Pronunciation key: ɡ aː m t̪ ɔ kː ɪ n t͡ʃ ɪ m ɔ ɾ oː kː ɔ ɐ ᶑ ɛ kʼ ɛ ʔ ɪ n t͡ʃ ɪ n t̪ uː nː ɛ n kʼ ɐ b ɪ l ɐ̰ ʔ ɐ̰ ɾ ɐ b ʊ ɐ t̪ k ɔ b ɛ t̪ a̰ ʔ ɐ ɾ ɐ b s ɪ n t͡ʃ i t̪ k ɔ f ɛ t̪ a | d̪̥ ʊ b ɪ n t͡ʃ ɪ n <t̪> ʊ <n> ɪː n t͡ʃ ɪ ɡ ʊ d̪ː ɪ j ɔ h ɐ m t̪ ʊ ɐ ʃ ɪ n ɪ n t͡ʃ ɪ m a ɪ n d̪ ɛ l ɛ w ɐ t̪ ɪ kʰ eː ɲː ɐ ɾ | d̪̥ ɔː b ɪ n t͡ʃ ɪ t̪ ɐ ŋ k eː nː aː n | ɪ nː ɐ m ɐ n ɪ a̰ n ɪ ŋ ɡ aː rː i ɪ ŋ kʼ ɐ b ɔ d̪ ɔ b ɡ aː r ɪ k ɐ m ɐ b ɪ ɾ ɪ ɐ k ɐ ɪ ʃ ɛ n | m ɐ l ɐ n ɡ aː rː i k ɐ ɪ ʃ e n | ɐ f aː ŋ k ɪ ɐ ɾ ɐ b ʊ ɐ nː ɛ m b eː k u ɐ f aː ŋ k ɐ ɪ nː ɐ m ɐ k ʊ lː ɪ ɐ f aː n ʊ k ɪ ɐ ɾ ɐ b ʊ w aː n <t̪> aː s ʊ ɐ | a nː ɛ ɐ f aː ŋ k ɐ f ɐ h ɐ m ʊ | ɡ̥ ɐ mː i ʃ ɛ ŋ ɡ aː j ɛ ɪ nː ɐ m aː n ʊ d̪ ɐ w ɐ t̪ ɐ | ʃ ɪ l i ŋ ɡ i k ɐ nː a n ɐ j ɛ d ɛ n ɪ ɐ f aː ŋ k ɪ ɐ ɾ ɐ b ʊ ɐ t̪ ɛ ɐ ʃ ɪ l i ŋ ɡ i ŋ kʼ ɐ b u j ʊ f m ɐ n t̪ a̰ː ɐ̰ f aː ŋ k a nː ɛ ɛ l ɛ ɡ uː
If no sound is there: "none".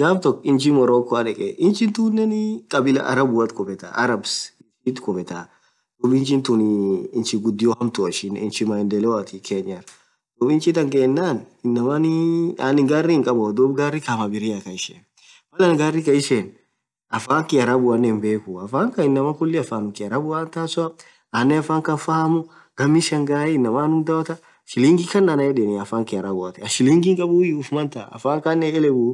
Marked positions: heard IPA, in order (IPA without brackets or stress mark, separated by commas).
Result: t̪, n, t̪